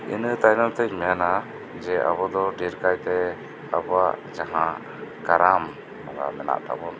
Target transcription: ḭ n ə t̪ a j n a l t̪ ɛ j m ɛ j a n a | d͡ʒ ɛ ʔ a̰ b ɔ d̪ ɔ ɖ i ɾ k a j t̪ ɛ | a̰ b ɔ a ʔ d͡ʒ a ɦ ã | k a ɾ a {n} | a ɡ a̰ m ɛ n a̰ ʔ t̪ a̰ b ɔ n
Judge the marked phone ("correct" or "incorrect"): incorrect